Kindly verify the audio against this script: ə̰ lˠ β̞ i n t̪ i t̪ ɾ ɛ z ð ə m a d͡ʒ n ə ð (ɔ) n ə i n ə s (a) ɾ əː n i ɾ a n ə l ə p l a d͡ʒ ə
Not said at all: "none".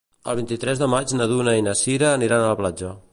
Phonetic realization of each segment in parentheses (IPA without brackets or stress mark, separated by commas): u, i